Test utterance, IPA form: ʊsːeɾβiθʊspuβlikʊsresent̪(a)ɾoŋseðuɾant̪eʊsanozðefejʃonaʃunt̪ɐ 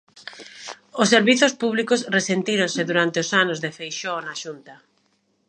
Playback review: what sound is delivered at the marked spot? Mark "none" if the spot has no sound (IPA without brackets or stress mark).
i